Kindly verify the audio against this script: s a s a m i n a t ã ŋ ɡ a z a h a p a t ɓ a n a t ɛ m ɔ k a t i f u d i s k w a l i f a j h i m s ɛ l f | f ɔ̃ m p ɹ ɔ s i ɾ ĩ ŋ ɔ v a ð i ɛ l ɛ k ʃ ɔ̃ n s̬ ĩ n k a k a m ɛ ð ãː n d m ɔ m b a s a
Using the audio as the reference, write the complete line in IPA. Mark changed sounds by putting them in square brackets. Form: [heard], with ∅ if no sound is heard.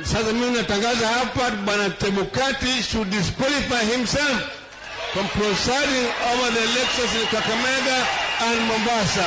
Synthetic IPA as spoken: s a s a m i n a t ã ŋ ɡ a z a h a p a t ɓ a n a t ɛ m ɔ k a t i [ʃ] u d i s k w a l i f a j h i m s ɛ l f | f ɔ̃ m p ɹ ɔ s [a] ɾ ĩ ŋ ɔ v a ð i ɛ l ɛ k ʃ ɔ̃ n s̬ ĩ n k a k a m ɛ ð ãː n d m ɔ m b a s a